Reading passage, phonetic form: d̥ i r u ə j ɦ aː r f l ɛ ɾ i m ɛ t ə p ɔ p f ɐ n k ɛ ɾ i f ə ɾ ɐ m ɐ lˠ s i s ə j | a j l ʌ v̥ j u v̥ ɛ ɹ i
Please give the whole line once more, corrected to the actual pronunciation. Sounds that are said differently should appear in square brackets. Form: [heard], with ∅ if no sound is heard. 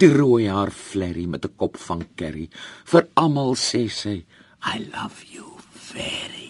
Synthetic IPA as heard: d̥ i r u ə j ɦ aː r f l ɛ ɾ i m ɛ t ə [k] ɔ p f ɐ n k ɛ ɾ i f ə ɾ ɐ m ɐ lˠ s [ɛ] s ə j | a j l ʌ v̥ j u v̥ ɛ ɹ i